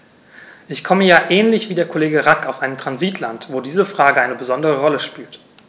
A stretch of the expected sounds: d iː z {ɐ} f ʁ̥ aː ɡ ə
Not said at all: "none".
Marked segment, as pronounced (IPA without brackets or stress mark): ə